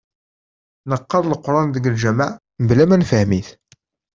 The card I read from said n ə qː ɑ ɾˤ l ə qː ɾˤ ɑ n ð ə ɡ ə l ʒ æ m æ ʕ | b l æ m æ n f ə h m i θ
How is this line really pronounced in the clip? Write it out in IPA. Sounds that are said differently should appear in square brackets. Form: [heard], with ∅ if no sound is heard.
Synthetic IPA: n ə qː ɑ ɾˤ l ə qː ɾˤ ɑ n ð ə ɡ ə l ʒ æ m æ ʕ | b l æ m æ n f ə h m i θ